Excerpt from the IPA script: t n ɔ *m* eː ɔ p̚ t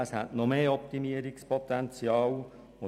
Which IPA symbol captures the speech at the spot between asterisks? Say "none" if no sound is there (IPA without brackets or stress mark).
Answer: m